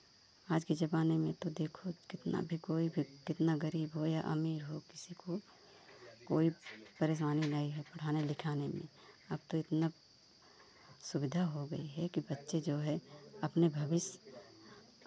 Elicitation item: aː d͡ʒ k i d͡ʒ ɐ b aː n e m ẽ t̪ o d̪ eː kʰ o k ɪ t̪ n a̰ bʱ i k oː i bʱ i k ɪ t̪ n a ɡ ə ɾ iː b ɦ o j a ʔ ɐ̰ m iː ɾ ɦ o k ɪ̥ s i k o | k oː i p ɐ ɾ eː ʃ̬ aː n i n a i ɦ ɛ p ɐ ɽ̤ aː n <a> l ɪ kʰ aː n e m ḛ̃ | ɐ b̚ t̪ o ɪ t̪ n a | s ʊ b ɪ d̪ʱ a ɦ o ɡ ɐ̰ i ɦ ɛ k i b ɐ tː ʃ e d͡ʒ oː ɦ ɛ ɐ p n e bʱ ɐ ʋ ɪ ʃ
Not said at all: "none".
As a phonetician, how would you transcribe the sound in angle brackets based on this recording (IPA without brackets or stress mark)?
e